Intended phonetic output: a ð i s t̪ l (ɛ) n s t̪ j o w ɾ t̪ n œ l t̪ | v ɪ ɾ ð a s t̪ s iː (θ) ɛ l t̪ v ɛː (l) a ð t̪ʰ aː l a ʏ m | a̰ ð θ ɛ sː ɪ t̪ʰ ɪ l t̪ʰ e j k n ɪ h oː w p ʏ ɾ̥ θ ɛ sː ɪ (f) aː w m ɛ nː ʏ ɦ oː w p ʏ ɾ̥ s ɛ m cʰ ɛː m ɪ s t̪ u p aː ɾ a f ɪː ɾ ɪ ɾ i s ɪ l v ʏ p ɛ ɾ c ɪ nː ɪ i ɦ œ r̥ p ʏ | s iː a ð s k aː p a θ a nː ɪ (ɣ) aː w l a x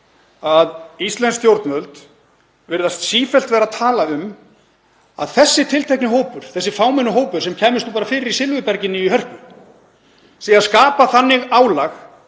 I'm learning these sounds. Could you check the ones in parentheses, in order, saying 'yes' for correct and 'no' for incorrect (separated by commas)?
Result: yes, no, no, yes, yes